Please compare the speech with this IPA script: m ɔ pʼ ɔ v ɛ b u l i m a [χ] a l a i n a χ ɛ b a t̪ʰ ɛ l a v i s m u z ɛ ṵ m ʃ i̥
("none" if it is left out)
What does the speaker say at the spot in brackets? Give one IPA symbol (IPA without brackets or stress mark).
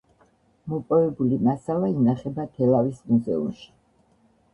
s